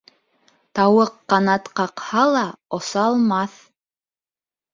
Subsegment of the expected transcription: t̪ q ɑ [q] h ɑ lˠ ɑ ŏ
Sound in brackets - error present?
no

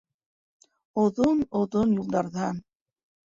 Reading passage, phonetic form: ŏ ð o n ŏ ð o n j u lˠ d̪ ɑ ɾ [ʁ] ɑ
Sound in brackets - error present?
yes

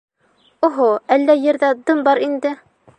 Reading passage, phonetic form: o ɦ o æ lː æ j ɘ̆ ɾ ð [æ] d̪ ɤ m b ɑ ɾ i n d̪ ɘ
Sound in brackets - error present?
no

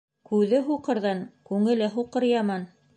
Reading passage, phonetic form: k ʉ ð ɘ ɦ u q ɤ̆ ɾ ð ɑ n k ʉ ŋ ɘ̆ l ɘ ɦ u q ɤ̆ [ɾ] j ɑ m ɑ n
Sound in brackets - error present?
no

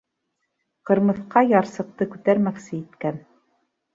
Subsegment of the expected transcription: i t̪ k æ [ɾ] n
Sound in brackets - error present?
yes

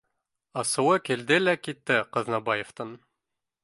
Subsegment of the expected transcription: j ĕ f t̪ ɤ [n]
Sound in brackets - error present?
no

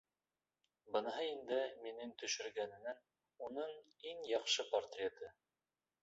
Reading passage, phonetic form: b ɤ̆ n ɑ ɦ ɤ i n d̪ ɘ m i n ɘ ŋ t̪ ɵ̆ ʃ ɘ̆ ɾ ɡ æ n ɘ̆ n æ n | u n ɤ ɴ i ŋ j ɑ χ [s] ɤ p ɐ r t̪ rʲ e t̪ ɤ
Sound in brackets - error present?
yes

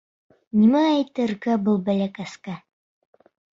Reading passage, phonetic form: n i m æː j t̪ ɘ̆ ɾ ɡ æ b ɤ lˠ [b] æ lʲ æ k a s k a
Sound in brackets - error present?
no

